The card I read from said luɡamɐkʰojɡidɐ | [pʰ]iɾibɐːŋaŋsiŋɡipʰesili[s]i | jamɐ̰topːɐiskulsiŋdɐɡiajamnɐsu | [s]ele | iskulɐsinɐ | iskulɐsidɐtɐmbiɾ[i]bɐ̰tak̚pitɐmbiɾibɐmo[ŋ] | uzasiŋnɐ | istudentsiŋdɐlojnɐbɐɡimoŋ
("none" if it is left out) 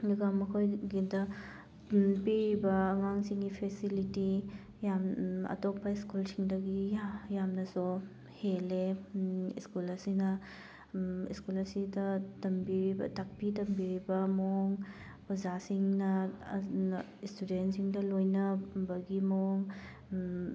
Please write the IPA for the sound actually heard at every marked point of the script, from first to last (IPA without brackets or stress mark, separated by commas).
p, t, h, i, ŋ